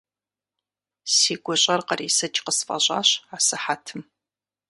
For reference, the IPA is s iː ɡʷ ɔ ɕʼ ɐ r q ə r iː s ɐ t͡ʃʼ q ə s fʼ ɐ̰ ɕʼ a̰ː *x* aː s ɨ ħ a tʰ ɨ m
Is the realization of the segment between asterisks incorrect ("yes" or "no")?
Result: yes